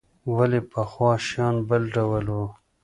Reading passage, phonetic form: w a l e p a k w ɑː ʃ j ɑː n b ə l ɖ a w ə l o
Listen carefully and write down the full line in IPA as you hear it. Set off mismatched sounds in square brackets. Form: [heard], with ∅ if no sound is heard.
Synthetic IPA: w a l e p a [x] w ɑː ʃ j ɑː n b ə l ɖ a w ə l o